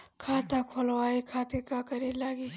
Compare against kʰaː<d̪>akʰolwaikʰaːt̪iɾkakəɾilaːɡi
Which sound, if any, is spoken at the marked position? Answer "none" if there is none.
t̪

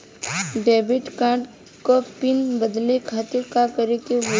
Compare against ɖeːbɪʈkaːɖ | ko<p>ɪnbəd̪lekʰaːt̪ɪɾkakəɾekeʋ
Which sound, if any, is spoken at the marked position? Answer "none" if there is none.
p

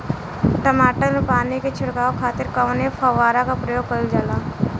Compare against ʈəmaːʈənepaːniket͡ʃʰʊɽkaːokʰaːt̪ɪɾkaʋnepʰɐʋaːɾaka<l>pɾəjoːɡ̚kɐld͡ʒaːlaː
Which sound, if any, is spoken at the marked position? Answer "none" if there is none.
none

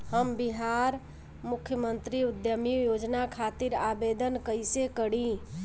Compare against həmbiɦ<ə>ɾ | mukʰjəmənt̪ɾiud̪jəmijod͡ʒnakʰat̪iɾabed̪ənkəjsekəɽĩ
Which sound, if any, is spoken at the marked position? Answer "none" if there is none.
a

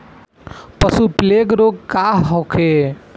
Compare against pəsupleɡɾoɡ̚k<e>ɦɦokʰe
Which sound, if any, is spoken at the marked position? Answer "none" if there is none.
a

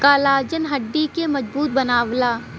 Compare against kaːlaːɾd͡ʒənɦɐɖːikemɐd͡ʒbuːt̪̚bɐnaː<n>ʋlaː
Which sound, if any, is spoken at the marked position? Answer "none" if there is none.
none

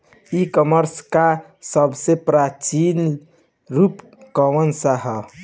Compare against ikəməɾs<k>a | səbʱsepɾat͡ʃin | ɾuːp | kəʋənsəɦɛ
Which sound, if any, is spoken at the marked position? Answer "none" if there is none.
k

